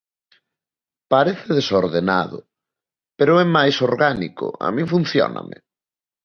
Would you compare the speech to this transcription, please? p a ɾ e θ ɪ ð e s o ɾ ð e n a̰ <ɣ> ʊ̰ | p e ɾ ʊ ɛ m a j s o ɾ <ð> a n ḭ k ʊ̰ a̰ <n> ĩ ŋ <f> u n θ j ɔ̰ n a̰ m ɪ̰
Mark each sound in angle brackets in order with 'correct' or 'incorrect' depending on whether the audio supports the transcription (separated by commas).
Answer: incorrect, incorrect, incorrect, correct